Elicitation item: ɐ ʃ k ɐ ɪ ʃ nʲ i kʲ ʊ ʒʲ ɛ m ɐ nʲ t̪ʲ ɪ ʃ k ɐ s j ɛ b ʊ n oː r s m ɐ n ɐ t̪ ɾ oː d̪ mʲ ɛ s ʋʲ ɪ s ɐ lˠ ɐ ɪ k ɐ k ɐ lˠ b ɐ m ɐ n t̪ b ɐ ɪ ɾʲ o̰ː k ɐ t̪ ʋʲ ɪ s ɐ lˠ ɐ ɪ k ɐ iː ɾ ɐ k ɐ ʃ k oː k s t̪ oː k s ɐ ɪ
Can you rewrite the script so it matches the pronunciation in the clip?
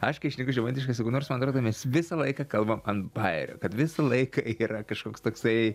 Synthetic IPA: ɐ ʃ k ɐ ɪ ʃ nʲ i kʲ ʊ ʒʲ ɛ m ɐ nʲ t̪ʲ ɪ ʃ k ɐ s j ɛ ɡ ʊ n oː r s m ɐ n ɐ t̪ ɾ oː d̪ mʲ ɛ s ʋʲ ɪ s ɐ lˠ ɐ ɪ k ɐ k ɐ lˠ b ɐ m ɐ n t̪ b ɐ ɪ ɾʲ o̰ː k ɐ t̪ ʋʲ ɪ s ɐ lˠ ɐ ɪ k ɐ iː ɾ ɐ k ɐ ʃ k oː k s t̪ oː k s ɐ ɪ

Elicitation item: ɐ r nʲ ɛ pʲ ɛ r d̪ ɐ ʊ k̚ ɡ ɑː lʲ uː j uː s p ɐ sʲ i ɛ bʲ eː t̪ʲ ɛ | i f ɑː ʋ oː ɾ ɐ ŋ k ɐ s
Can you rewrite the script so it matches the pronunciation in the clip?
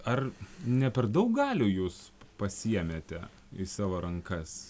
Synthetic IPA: ɐ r nʲ ɛ pʲ ɛ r d̪ ɐ ʊ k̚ ɡ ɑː lʲ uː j uː s p ɐ sʲ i ɛ mʲ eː t̪ʲ ɛ | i s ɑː ʋ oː ɾ ɐ ŋ k ɐ s

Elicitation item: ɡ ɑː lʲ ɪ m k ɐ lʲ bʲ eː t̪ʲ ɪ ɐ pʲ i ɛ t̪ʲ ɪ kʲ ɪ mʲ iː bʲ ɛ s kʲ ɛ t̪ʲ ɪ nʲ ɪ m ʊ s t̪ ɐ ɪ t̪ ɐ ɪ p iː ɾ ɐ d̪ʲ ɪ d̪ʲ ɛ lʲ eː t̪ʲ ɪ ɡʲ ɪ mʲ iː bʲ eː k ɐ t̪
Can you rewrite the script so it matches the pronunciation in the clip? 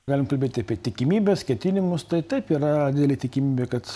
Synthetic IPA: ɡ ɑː lʲ ɪ m k ɐ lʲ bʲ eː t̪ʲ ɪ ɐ pʲ i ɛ t̪ʲ ɪ kʲ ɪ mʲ iː bʲ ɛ s kʲ ɛ t̪ʲ ɪ nʲ ɪ m ʊ s t̪ ɐ ɪ t̪ ɐ ɪ p iː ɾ ɐ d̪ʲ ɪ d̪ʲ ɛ lʲ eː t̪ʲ ɪ kʲ ɪ mʲ iː bʲ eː k ɐ t̪

